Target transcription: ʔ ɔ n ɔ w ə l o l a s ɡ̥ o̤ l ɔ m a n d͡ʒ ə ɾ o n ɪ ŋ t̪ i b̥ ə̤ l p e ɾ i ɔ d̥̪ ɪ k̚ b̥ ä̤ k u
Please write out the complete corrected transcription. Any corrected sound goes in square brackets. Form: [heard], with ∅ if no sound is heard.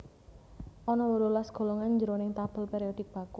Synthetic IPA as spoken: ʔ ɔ n ɔ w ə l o l a s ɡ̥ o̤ l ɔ [ŋ] a n d͡ʒ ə ɾ o n ɪ ŋ t̪ [a] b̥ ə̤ l p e ɾ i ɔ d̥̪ ɪ k̚ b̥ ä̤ k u